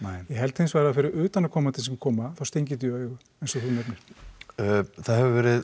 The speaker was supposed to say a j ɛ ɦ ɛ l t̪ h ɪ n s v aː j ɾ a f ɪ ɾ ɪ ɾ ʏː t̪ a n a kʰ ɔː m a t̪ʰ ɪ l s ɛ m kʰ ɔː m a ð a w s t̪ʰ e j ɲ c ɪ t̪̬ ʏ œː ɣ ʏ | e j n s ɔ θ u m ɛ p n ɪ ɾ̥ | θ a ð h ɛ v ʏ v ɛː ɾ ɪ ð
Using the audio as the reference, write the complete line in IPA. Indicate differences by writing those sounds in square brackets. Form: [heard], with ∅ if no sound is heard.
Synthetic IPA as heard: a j ɛ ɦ ɛ l t̪ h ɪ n s v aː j ɾ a f ɪ ɾ ɪ ɾ ʏː t̪ a n a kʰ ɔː m a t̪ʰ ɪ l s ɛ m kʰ ɔː m a [θ] a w s [t̪] e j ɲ c ɪ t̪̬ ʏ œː ɣ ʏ | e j n s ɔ θ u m ɛ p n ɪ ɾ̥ | θ a ð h ɛ v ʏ v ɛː ɾ ɪ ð